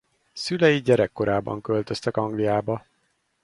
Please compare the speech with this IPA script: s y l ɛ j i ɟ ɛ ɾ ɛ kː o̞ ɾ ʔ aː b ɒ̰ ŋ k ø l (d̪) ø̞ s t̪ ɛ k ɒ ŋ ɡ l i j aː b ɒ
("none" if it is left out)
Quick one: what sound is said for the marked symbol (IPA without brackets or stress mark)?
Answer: t̪